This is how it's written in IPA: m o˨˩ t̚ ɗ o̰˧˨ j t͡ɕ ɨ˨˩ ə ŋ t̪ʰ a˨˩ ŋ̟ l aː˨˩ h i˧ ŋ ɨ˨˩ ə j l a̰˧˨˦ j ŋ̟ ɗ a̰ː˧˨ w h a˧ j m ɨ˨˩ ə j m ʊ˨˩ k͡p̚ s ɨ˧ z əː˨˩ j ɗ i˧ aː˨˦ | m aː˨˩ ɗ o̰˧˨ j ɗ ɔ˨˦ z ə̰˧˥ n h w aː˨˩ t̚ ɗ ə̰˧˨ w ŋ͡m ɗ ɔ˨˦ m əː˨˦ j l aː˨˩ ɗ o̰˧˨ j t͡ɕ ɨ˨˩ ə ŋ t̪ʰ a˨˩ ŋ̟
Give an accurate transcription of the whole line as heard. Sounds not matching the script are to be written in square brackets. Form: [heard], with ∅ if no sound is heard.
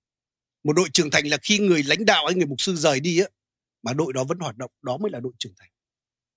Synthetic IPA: m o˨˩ t̚ ɗ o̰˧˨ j t͡ɕ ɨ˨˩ ə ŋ t̪ʰ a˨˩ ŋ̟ l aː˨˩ [x] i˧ ŋ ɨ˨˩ ə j l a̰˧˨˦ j ŋ̟ ɗ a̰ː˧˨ w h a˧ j [ŋ] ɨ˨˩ ə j m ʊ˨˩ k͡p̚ s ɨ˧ z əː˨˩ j ɗ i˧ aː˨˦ | m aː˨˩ ɗ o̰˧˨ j ɗ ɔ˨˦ [v] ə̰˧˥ n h w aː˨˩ t̚ ɗ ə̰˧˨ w ŋ͡m ɗ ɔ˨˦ m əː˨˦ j l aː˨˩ ɗ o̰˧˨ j t͡ɕ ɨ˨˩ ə ŋ t̪ʰ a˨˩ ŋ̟